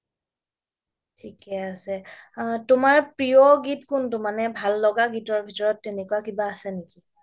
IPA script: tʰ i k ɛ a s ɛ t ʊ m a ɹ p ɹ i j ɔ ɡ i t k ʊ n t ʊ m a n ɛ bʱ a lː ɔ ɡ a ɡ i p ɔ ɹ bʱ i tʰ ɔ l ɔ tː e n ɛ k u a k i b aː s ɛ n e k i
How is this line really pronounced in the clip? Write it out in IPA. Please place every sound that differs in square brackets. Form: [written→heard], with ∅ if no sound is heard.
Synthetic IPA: tʰ i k ɛ a s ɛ t ʊ m a ɹ p ɹ i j ɔ ɡ i t k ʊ n t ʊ m a n ɛ bʱ a lː ɔ ɡ a ɡ i [p→t] ɔ ɹ bʱ i [tʰ→t] ɔ [l→ɹ] ɔ tː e n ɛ k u a k i b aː s ɛ n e k i